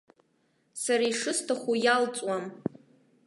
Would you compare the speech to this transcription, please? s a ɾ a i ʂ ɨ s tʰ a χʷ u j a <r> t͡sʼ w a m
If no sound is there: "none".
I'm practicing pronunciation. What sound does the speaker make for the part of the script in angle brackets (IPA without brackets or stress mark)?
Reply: l